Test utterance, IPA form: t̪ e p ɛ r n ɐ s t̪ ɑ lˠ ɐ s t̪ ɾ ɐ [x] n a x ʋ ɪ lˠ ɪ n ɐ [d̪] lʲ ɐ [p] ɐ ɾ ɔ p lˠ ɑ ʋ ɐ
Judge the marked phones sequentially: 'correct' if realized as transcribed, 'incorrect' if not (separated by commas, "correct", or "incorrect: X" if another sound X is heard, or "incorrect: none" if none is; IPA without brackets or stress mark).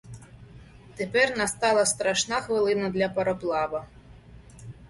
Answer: incorrect: ʃ, correct, correct